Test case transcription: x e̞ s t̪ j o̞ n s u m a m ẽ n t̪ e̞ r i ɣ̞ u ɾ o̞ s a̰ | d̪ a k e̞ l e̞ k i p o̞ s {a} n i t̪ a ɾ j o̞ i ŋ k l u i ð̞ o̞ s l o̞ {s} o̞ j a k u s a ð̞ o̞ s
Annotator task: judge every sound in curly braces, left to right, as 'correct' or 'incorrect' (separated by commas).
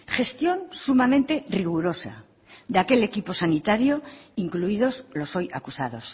correct, correct